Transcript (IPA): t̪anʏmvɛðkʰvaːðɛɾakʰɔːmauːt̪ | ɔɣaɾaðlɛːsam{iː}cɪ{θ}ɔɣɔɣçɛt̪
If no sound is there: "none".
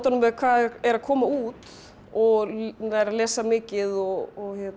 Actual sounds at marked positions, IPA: ɪː, ð

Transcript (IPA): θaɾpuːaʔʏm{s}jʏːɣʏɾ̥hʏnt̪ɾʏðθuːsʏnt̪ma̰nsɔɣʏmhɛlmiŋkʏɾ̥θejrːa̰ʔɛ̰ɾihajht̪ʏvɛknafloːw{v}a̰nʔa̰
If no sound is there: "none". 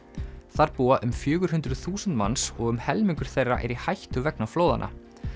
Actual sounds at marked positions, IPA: f, ð

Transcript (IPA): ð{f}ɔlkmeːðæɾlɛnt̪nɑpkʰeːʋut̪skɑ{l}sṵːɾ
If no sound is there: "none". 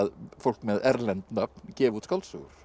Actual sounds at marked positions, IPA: f, l

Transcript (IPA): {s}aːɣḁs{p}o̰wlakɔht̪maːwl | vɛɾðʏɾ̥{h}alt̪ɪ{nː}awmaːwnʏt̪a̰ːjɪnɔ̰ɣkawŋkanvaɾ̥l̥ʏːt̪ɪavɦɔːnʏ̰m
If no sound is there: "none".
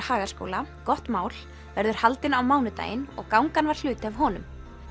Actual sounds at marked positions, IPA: h, k, h, n

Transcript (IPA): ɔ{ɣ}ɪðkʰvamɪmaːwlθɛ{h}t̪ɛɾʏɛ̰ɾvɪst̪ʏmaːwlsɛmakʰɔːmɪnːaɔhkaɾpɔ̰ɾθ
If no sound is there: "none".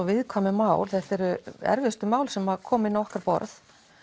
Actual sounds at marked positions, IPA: v, h

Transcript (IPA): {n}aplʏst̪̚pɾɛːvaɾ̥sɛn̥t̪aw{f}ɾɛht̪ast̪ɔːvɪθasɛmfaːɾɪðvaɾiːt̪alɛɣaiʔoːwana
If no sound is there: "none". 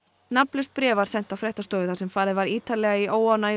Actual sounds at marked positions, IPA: n, f

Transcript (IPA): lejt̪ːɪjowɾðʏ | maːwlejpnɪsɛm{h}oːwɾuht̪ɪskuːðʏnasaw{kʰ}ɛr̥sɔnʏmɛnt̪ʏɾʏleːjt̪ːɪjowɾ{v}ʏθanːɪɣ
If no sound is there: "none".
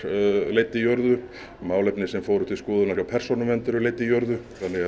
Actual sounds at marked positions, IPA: f, pʰ, ð

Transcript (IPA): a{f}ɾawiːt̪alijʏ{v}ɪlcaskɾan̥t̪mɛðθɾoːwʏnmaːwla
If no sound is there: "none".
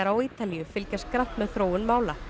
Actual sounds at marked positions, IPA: none, f

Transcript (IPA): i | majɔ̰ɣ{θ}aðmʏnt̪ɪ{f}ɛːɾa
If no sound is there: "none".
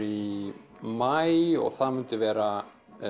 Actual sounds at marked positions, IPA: θ, v

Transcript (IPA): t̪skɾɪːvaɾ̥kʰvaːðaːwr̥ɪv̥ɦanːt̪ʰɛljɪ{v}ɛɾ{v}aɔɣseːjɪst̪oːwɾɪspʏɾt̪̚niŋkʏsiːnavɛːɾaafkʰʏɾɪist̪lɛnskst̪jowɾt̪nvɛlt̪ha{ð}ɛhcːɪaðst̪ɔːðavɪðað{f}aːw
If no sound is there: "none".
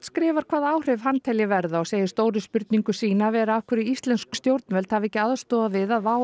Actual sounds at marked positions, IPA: v, ð, v, v

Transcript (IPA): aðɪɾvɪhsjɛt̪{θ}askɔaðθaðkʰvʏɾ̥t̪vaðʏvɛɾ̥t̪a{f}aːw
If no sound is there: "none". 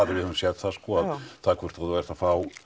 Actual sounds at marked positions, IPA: θ, f

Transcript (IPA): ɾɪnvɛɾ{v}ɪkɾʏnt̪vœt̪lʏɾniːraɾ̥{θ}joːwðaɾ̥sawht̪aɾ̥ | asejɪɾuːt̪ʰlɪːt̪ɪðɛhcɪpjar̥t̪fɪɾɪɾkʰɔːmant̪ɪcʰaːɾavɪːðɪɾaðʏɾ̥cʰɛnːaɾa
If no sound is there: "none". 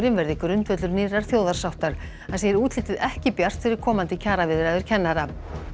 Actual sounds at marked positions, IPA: ð, θ

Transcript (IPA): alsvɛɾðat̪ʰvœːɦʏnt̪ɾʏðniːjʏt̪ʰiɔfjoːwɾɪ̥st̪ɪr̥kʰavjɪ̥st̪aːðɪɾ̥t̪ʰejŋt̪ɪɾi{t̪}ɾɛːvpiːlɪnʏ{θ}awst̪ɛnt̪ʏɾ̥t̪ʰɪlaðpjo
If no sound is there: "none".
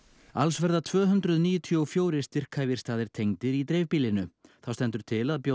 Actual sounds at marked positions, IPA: t̪, θ

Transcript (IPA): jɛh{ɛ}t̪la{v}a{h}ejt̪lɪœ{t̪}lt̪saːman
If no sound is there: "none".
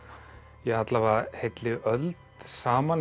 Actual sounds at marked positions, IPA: a, v, h, none

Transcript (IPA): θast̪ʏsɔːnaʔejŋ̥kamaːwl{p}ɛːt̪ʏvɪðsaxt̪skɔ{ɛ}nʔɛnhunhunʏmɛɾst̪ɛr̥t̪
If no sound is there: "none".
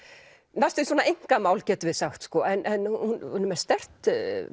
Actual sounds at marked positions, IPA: c, ɛ

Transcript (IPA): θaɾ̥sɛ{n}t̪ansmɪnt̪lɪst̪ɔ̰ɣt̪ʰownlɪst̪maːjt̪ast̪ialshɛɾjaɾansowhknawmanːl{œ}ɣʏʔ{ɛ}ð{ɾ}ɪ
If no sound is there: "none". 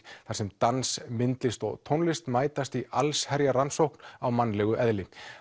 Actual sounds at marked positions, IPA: m, ɛ, ɛ, l

